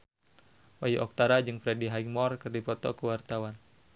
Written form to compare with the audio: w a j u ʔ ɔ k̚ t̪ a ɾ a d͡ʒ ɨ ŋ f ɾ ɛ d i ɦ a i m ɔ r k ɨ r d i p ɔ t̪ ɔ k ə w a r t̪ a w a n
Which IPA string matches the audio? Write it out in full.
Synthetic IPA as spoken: w a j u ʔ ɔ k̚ t̪ a ɾ a d͡ʒ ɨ ŋ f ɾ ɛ d i ɦ a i m ɔ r k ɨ r d i p ɔ t̪ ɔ k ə w a r t̪ a w a n